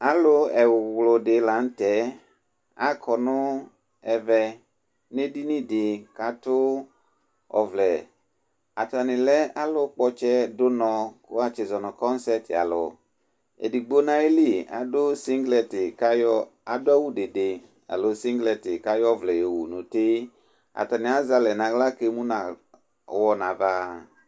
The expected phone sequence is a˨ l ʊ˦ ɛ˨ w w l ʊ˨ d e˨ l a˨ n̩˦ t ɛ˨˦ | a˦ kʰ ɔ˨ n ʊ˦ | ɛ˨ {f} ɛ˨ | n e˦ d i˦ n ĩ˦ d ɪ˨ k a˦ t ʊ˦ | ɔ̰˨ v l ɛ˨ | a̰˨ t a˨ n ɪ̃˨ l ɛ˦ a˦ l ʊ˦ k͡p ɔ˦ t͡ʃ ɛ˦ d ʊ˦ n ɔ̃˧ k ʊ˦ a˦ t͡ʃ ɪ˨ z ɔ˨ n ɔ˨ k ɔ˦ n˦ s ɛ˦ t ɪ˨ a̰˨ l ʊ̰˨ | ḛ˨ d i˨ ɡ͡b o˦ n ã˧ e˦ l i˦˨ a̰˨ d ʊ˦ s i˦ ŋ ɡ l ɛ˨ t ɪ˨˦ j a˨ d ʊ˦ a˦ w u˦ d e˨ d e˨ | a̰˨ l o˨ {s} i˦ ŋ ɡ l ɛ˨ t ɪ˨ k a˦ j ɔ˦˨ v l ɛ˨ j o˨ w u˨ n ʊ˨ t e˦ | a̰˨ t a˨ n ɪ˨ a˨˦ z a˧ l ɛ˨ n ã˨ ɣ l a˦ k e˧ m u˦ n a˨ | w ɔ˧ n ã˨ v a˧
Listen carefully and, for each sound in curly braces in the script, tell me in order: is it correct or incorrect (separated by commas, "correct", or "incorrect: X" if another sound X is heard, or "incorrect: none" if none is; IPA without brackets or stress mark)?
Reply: incorrect: v, correct